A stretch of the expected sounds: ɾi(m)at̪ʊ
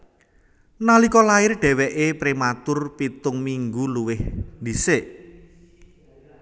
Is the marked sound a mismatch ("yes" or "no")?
no